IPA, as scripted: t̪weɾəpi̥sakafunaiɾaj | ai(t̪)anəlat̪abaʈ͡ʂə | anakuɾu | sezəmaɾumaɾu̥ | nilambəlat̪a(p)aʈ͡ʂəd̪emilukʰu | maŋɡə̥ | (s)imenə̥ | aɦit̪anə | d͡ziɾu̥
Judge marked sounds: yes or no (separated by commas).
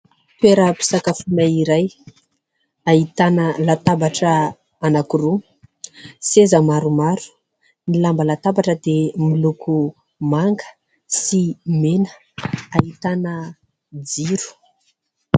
yes, no, yes